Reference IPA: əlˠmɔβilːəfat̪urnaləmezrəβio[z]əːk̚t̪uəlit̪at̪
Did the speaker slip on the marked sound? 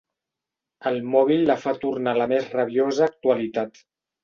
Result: no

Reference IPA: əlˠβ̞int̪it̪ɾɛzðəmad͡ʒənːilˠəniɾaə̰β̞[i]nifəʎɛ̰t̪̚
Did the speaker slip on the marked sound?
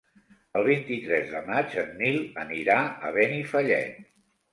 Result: yes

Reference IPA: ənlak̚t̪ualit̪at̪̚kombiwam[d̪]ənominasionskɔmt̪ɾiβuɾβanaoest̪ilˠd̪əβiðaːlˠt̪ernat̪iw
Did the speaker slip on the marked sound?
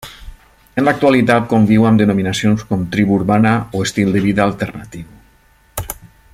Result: no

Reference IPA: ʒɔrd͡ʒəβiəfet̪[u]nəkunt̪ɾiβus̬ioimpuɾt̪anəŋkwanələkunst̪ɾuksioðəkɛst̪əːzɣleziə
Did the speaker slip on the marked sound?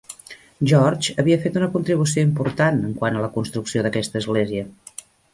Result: no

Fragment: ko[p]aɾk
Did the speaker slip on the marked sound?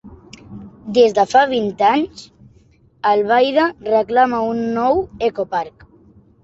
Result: no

